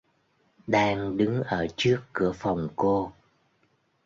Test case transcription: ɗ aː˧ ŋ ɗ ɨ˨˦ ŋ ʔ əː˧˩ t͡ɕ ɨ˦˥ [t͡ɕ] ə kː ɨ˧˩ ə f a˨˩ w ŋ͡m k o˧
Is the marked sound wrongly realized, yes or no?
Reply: yes